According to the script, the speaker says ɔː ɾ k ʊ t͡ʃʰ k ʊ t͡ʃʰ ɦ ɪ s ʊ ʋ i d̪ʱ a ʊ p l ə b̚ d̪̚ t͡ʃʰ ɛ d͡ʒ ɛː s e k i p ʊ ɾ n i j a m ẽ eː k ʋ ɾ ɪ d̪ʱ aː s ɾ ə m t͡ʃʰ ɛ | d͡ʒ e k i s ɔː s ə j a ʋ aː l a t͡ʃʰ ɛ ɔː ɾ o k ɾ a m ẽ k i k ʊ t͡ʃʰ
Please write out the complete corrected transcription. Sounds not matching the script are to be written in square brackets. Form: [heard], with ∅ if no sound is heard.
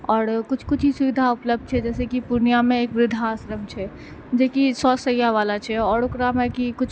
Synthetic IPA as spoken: ɔː ɾ k ʊ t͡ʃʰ k ʊ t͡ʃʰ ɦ [i] s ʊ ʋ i d̪ʱ a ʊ p l ə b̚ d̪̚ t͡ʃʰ ɛ d͡ʒ ɛː s e k i p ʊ ɾ n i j a m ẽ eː k ʋ ɾ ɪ d̪ʱ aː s ɾ ə m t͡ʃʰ ɛ | d͡ʒ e k i s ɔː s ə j a ʋ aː l a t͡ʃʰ ɛ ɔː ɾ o k ɾ a m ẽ k i k ʊ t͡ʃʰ

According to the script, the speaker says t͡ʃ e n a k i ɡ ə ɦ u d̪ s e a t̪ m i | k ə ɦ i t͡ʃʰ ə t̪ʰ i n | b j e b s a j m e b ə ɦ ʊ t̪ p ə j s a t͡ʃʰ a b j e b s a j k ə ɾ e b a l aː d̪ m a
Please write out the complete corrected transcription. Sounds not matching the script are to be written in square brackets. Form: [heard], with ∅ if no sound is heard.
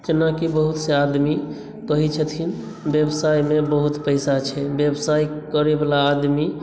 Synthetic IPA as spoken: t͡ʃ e n a k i [b] ə ɦ u [t̪] s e a [d̪] m i | k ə ɦ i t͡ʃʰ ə t̪ʰ i n | b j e b s a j m e b ə ɦ [u] t̪ p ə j s a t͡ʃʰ [ɛ] b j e b s a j k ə ɾ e b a l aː d̪ m [i]

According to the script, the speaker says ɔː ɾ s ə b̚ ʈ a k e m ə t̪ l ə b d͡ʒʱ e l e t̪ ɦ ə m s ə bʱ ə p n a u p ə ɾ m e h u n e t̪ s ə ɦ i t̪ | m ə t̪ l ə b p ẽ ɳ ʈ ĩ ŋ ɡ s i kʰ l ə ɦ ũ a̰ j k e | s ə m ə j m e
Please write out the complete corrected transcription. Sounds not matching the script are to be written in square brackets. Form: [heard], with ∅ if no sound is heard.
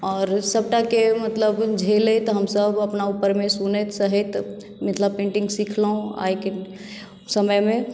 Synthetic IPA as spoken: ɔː ɾ s ə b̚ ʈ a k e m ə t̪ l ə b d͡ʒʱ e l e t̪ ɦ ə m s ə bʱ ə p n a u p ə ɾ m e [s] u n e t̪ s ə ɦ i t̪ | m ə t̪ l ə b p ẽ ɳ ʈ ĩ ŋ ɡ s i kʰ l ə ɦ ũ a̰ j k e | s ə m ə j m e

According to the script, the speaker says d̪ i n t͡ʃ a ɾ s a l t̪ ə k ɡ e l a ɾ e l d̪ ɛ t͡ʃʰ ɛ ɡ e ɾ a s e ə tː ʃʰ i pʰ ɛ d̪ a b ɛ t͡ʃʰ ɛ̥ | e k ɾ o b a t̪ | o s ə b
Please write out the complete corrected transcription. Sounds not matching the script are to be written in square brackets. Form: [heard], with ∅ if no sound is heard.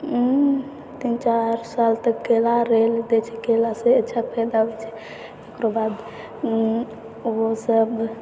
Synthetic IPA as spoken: [t̪] i n t͡ʃ a ɾ s a l t̪ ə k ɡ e l a ɾ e l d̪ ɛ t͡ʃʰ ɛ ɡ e [l] a s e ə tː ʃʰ [a] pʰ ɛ d̪ a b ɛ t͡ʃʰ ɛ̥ | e k ɾ o b a [d̪] | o s ə b

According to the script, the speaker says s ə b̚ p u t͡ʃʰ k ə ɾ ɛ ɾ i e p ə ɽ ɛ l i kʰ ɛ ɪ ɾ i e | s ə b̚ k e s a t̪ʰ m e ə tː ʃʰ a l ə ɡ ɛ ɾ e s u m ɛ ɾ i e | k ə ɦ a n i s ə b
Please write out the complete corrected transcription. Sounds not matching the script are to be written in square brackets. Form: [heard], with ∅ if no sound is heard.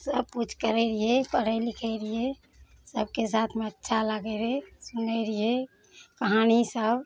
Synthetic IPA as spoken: s ə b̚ p u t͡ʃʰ k ə ɾ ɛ ɾ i e p ə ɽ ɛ l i kʰ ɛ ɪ ɾ i e | s ə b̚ k e s a t̪ʰ m e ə tː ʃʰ a l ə ɡ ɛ ɾ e s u [n] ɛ ɾ i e | k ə ɦ a n i s ə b

